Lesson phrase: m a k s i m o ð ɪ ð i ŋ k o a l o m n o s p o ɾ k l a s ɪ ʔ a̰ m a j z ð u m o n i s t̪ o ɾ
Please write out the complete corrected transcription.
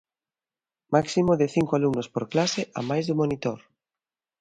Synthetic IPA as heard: m a k s i m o ð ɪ θ i ŋ k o a l u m n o s p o ɾ k l a s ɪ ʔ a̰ m a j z ð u m o n i t̪ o ɾ